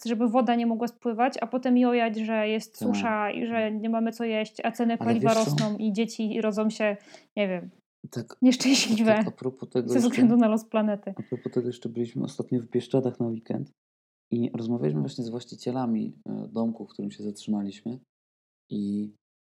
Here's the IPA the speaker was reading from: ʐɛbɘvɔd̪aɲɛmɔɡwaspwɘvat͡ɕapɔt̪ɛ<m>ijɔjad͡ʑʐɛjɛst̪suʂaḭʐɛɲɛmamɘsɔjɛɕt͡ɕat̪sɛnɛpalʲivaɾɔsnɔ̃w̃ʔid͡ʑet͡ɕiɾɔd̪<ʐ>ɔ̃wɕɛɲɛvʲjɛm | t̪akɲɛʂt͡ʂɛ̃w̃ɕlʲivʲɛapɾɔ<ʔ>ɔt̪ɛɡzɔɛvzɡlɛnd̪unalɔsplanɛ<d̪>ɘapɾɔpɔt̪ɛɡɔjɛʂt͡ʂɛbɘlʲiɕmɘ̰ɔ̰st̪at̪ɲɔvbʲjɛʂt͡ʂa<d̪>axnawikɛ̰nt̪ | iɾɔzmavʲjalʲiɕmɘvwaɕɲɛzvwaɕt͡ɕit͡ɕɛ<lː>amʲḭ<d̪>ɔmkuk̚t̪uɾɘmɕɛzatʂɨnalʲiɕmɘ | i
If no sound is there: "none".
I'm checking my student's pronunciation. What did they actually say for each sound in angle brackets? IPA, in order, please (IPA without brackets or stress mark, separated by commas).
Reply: m, z, p, t̪, d̪, l, d̪